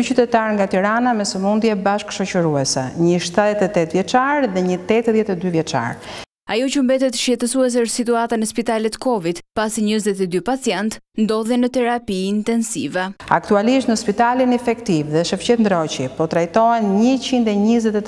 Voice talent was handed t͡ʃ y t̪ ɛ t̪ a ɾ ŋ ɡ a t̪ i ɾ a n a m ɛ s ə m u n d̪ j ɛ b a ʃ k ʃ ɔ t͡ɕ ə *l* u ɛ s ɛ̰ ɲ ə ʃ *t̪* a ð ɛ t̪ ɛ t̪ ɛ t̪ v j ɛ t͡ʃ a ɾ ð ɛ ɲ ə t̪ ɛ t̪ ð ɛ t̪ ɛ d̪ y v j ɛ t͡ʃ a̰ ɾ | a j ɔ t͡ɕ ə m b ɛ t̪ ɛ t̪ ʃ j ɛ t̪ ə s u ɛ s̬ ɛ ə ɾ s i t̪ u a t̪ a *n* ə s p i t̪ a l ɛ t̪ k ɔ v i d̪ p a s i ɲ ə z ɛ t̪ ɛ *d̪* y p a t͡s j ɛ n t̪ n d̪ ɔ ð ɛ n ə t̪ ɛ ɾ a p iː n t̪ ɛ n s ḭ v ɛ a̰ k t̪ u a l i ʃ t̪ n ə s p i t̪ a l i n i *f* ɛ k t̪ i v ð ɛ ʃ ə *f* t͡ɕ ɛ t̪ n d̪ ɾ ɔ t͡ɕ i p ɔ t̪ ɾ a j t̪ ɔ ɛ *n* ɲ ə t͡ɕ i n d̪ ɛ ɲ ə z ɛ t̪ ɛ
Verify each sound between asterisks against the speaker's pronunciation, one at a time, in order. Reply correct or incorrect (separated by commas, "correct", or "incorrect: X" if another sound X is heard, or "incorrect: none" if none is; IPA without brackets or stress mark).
incorrect: ɾ, correct, correct, correct, correct, correct, correct